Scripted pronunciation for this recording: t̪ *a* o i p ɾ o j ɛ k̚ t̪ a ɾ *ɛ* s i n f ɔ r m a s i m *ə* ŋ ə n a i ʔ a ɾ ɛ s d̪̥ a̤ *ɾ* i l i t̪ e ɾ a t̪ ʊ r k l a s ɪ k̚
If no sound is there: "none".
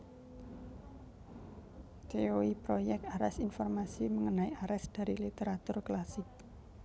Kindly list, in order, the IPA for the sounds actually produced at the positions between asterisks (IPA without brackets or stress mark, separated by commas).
e, ɛ, ə, ɾ